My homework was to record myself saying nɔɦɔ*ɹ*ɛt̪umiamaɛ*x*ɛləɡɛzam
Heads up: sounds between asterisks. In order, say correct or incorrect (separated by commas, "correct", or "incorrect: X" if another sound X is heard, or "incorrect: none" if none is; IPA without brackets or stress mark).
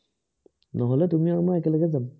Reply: incorrect: l, incorrect: k